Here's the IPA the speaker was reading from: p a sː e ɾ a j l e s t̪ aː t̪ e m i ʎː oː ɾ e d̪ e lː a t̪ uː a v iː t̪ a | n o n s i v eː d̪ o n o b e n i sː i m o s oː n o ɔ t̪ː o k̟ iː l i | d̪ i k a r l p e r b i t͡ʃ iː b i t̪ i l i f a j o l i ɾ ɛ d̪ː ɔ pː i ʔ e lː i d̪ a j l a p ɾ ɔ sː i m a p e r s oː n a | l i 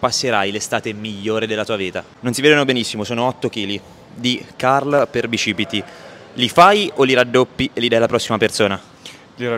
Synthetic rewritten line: p a sː e ɾ a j l e s t̪ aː t̪ e m i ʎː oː ɾ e d̪ e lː a t̪ uː a v iː t̪ a | n o n s i v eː d̪ o n o b e n i sː i m o s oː n o ɔ t̪ː o k̟ iː l i | d̪ i k a r l p e r b i t͡ʃ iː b i t̪ i l i f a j o l i ɾ a d̪ː o pː i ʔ e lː i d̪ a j l a p ɾ ɔ sː i m a p e r s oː n a | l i